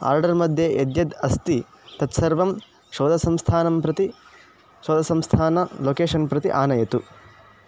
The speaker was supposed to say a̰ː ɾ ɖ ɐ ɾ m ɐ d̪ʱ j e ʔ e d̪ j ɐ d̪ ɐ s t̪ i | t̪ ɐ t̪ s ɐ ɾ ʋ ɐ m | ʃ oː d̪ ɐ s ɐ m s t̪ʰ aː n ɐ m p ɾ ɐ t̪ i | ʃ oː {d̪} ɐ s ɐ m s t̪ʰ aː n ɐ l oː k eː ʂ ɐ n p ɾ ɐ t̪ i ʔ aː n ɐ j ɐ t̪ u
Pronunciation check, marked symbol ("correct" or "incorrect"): correct